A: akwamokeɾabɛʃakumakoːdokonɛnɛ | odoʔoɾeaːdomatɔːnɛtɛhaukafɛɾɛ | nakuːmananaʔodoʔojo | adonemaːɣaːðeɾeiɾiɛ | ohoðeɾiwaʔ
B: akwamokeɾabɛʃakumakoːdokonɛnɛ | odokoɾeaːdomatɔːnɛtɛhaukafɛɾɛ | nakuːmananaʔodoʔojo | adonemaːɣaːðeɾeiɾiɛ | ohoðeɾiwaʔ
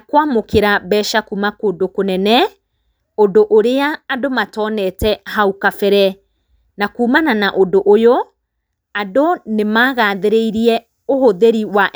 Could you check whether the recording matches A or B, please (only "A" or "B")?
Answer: A